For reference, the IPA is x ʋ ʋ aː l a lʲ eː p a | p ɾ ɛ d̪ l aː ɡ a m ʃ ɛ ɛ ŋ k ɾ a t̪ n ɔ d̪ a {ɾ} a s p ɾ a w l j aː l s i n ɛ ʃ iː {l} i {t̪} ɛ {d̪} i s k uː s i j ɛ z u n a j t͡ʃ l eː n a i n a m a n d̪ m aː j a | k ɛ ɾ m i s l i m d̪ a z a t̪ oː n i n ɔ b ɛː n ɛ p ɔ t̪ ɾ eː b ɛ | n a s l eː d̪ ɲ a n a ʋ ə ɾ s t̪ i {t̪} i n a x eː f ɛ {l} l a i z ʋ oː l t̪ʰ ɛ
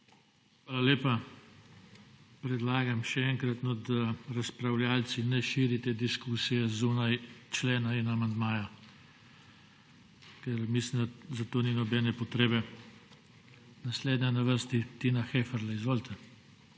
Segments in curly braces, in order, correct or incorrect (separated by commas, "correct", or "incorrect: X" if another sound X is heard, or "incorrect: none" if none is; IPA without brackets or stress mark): correct, incorrect: ɾ, correct, correct, correct, incorrect: ɾ